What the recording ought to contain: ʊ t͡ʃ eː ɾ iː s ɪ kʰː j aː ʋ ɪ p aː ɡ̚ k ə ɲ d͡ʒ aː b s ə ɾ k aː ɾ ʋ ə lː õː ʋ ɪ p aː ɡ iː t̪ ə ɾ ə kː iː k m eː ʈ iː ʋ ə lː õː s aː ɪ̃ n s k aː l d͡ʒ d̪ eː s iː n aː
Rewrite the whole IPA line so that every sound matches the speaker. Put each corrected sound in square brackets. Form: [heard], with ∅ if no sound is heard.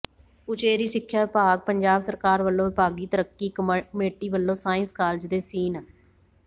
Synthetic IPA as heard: ʊ t͡ʃ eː ɾ iː s ɪ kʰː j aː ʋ ɪ p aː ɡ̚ [p] ə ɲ d͡ʒ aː b s ə ɾ k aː ɾ ʋ ə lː õː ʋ ɪ p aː ɡ iː t̪ ə ɾ ə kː iː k m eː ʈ iː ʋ ə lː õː s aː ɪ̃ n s k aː l d͡ʒ d̪ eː s iː n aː